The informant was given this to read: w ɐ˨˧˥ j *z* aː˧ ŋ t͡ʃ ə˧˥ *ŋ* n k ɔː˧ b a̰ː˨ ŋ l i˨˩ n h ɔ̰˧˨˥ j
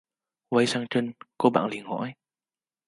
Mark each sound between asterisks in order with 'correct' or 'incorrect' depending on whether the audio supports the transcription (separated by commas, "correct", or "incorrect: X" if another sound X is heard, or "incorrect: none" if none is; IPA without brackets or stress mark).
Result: incorrect: s, incorrect: none